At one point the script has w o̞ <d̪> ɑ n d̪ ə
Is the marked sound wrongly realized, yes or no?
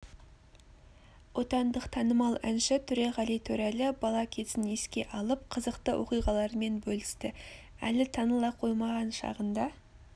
yes